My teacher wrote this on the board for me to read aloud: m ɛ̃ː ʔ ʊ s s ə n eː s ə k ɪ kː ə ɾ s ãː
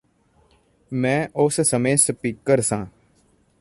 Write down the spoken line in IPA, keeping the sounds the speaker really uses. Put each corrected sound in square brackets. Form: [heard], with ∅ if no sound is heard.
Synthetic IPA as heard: m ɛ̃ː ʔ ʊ s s ə [m] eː s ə [p] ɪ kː ə ɾ s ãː

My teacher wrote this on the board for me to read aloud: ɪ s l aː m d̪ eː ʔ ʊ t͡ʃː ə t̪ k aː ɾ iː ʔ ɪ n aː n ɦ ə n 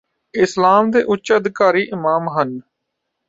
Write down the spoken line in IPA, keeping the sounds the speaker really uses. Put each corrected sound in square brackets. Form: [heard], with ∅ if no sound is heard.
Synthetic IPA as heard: ɪ s l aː m d̪ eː ʔ ʊ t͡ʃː ə [d̪] k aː ɾ iː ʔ ɪ [m] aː [m] ɦ ə n

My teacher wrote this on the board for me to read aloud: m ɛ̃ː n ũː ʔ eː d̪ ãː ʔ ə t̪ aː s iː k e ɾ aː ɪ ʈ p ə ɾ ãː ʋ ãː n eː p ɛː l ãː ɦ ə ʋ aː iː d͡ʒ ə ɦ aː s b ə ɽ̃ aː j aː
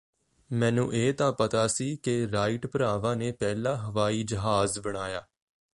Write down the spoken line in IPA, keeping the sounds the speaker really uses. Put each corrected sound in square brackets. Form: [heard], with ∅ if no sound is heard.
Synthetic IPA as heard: m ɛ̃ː n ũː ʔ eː [t̪] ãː [p] ə t̪ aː s iː k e ɾ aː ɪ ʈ p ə ɾ [aː] ʋ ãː n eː p ɛː l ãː ɦ ə ʋ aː iː d͡ʒ ə ɦ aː [z] b ə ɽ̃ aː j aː

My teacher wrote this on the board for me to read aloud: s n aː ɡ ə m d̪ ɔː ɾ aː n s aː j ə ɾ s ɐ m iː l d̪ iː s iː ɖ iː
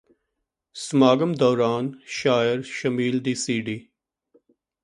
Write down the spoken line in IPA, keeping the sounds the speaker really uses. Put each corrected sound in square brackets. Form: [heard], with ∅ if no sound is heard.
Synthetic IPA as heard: s [m] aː ɡ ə m d̪ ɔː ɾ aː n [ʃ] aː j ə ɾ [ʃ] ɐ m iː l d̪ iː s iː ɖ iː

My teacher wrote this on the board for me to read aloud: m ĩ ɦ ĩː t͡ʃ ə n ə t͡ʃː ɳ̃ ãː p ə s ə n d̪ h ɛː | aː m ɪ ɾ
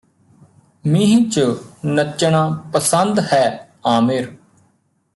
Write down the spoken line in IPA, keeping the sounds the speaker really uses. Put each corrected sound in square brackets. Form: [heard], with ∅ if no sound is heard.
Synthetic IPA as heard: m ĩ ɦ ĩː t͡ʃ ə n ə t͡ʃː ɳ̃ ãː p ə s ə n d̪ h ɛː | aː m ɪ ɾ

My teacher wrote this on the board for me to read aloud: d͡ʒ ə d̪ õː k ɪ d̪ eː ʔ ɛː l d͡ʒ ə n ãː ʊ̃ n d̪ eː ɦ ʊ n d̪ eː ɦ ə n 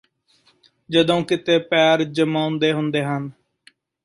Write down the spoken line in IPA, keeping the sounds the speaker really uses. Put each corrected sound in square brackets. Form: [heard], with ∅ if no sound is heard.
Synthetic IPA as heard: d͡ʒ ə d̪ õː k ɪ [t̪] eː [p] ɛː [ɾ] d͡ʒ ə [m] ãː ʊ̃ n d̪ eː ɦ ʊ n d̪ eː ɦ ə n

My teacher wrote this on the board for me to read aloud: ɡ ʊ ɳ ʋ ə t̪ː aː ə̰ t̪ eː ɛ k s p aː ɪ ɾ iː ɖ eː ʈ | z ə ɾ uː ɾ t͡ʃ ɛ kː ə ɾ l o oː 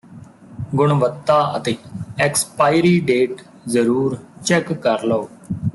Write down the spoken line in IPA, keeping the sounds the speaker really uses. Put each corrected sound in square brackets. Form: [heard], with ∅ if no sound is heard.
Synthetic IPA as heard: ɡ ʊ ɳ ʋ ə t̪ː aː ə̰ t̪ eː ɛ k s p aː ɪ ɾ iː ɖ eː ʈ | z ə ɾ uː ɾ t͡ʃ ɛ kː ə ɾ l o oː

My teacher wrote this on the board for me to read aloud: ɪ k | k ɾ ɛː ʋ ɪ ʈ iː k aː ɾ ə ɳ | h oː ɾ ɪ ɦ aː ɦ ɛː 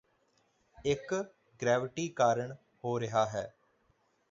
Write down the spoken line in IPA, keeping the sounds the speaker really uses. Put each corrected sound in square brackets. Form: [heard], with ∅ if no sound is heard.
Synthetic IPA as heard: ɪ k | [ɡ] ɾ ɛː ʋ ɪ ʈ iː k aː ɾ ə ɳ | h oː ɾ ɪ ɦ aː ɦ ɛː

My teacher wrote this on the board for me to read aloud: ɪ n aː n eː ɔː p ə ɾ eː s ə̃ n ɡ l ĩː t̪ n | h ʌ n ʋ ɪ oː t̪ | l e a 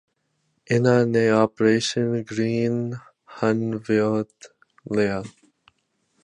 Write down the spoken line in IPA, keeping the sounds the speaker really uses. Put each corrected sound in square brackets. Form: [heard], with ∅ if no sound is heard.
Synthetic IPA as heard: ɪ n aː n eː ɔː p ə ɾ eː [ʃ] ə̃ n ɡ [ɾ] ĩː [∅] n | h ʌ n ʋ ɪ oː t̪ | l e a

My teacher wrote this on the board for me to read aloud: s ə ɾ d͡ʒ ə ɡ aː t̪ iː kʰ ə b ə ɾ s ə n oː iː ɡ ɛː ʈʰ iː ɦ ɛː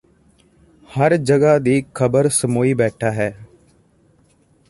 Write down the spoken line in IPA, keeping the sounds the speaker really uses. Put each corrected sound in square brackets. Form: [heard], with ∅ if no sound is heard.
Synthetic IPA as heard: [h] ə ɾ d͡ʒ ə ɡ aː [d̪] iː kʰ ə b ə ɾ s ə [m] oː iː [b] ɛː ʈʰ [aː] ɦ ɛː

